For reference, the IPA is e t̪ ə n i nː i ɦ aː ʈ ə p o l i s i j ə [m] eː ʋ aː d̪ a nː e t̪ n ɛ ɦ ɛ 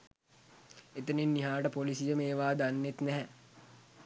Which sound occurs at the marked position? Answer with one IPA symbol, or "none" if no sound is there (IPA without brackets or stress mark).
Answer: m